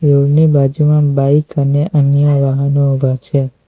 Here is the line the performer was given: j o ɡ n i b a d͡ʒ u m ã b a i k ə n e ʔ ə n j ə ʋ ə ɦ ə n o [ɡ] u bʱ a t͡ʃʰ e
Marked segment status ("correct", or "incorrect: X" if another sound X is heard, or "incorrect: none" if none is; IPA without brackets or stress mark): incorrect: none